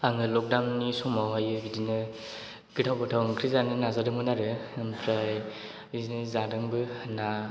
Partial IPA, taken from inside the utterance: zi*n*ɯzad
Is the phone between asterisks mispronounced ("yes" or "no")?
no